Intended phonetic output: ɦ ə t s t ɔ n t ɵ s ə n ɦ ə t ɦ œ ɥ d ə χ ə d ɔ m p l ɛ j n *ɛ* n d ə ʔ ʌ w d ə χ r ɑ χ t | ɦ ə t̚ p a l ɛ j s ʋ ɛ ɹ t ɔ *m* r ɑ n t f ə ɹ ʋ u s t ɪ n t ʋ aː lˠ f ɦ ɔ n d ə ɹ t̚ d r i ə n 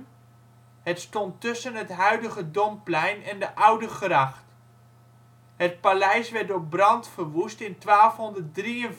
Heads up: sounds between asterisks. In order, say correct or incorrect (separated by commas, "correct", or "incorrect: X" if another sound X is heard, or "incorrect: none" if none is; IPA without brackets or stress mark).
correct, incorrect: b